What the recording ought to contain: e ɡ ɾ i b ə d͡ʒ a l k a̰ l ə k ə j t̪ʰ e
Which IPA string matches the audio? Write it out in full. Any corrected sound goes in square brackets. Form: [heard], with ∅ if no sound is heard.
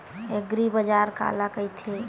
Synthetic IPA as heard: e ɡ ɾ i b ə d͡ʒ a [ɾ] k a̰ l [a] k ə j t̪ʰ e